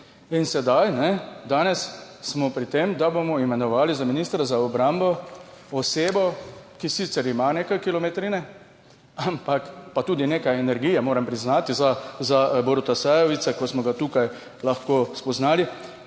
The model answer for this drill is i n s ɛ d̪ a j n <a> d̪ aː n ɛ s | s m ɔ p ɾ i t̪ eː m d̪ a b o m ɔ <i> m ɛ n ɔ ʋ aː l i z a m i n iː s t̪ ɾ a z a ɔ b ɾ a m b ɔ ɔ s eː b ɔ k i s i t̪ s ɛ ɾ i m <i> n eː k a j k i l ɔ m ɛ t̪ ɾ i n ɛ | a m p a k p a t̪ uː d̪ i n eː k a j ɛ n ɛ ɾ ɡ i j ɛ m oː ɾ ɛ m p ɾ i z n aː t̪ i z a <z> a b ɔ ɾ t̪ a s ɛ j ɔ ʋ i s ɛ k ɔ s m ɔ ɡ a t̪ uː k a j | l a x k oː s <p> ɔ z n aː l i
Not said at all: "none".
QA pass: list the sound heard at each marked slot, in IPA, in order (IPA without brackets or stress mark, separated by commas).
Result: ɛ, i, a, z, p